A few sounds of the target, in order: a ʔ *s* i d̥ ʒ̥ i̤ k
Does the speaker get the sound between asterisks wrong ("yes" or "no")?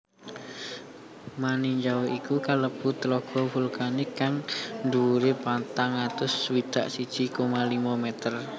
no